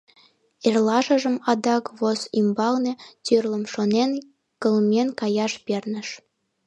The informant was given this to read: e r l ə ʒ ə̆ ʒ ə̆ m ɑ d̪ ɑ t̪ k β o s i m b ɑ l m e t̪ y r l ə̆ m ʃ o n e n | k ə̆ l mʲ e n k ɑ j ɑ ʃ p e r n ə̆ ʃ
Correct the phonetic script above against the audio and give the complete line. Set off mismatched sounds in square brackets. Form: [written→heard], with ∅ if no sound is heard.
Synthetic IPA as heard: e r l [ə→ɑ] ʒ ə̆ ʒ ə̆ m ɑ d̪ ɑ [t̪→∅] k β o s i m b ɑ l [m→n] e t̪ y r l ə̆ m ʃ o n e n | k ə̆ l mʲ e n k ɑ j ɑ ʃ p e r n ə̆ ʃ

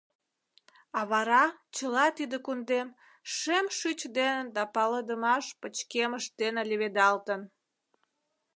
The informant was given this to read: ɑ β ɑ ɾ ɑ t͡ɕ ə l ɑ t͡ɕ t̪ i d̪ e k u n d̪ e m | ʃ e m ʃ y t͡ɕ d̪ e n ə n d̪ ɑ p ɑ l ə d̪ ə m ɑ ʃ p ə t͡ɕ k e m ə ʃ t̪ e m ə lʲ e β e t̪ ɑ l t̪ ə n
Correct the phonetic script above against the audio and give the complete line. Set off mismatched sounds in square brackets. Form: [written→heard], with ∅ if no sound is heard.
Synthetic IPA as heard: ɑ β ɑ ɾ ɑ t͡ɕ ə l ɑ [t͡ɕ→∅] t̪ i d̪ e k u n d̪ e m | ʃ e m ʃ y t͡ɕ d̪ e n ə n d̪ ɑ p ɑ l ə d̪ ə m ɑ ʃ p ə t͡ɕ k e m ə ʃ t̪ e [m→n] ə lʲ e β e [t̪→d̪] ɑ l t̪ ə n

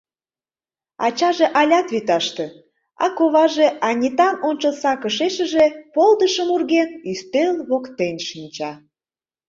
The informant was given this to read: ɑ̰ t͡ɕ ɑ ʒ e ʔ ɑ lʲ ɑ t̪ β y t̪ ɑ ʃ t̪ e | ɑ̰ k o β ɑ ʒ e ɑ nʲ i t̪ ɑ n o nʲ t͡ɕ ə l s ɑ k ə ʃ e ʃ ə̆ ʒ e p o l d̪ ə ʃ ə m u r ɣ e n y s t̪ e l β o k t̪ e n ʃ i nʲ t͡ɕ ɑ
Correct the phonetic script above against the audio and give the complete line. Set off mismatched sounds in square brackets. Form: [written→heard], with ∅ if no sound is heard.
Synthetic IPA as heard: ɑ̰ t͡ɕ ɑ ʒ e ʔ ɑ lʲ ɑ t̪ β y t̪ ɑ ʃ t̪ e | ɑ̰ k o β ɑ ʒ e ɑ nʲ i t̪ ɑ n o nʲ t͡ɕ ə l s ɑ k ə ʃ e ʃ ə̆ ʒ e p o l d̪ ə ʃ ə m u r ɣ e n y s t̪ e l β o k t̪ e n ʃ i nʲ t͡ɕ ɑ

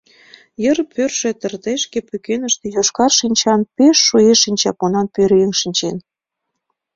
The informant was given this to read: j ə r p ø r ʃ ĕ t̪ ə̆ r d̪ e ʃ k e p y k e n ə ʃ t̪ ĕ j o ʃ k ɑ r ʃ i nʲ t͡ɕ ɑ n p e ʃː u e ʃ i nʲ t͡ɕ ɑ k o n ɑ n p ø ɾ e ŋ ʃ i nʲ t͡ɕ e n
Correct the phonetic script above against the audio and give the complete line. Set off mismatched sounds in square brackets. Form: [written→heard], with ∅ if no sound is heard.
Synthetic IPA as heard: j ə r p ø r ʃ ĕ t̪ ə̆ r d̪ e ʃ k e p y k e n ə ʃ t̪ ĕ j o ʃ k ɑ r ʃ i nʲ t͡ɕ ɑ n p e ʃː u e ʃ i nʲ t͡ɕ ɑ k o n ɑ n p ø ɾ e ŋ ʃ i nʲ t͡ɕ e n

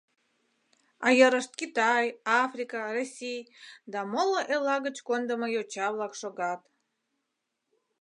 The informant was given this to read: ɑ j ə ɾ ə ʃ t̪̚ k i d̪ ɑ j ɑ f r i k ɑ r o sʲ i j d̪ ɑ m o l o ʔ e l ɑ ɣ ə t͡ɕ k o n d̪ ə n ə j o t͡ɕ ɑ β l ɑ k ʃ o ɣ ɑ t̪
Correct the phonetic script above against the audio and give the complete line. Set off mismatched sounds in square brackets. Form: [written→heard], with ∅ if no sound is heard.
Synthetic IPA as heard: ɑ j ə ɾ ə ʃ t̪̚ k i [d̪→t̪] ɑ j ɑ f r i k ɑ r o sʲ i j d̪ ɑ m o l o ʔ e l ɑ ɣ ə t͡ɕ k o n d̪ ə [n→m] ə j o t͡ɕ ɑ β l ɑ k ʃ o ɣ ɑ t̪

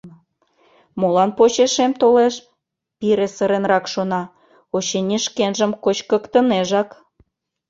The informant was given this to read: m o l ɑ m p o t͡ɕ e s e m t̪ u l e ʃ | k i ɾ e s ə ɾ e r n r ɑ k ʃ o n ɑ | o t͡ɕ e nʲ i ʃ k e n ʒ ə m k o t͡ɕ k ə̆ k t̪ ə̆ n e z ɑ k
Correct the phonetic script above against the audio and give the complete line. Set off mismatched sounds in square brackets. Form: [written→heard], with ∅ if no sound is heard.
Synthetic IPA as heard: m o l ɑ [m→n] p o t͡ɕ e [s→ʃ] e m t̪ [u→o] l e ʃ | [k→p] i ɾ e s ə ɾ e [r→∅] n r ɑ k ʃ o n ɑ | o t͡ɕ e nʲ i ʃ k e n ʒ ə m k o t͡ɕ k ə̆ k t̪ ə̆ n e [z→ʒ] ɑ k

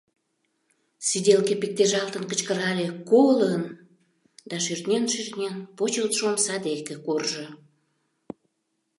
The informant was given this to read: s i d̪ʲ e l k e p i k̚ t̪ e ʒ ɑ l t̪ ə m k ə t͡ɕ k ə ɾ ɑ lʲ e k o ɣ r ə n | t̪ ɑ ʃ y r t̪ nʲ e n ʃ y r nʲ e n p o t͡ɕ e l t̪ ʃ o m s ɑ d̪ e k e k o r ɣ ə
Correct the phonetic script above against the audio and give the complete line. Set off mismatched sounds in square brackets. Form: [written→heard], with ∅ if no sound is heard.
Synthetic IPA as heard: s i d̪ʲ e l k e p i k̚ t̪ e ʒ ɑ l t̪ ə [m→n] k ə t͡ɕ k ə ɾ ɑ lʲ e k o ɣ [r→l] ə n | [t̪→d̪] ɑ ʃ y r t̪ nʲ e n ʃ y r nʲ e n p o t͡ɕ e l t̪ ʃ o m s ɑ d̪ e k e k o r [ɣ→ʒ] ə

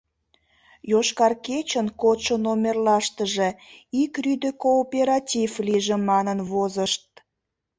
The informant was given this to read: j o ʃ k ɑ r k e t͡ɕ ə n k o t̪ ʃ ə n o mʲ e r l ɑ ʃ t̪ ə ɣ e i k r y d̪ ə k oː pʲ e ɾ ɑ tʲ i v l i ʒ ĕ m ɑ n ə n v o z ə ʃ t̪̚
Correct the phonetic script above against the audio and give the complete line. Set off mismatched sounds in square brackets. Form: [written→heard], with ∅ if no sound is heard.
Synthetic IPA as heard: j o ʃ k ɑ r k e t͡ɕ ə n k o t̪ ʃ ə n o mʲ e r l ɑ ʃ t̪ ə [ɣ→ʒ] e i k r y d̪ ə k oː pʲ e ɾ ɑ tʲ i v l i ʒ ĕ m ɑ n ə n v o z ə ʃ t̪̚

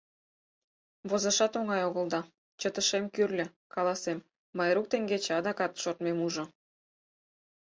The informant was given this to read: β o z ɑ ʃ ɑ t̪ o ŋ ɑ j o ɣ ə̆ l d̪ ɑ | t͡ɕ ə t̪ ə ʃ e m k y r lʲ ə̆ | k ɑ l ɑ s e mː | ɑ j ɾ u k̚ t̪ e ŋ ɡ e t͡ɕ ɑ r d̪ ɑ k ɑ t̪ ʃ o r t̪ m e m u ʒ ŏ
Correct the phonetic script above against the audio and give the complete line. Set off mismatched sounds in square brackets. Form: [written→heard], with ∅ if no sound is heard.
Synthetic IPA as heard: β o z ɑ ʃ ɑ t̪ o ŋ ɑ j o ɣ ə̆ l d̪ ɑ | t͡ɕ ə t̪ ə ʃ e m k y r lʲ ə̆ | k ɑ l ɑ s e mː | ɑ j ɾ u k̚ t̪ e ŋ ɡ e t͡ɕ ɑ [r→∅] d̪ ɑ k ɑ t̪ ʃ o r t̪ m e m u ʒ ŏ

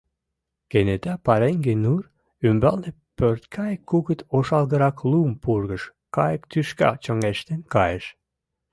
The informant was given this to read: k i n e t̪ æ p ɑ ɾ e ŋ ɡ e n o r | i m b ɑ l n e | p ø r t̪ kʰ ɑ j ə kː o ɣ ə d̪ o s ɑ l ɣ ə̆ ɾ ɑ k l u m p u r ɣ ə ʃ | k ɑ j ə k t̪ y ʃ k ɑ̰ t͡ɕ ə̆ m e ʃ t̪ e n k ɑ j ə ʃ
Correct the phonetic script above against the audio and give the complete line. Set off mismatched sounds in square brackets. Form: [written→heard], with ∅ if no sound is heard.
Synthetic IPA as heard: k [i→e] n e t̪ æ p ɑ ɾ e ŋ ɡ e n [o→u] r | [i→y] m b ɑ l n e | p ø r t̪ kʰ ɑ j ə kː [o→u] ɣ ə [d̪→t̪] o [s→ʃ] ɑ l ɣ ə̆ ɾ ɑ k l u m p u r ɣ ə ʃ | k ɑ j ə k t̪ y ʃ k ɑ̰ t͡ɕ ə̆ [m→ŋ] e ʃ t̪ e n k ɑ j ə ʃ

